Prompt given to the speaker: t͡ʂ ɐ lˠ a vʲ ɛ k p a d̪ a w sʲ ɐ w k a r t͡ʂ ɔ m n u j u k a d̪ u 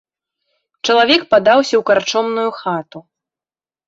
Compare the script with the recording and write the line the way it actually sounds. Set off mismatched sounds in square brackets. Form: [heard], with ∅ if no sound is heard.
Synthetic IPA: t͡ʂ ɐ lˠ a vʲ ɛ k p a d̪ a w sʲ ɐ w k a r t͡ʂ ɔ m n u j u [x] a [t̪] u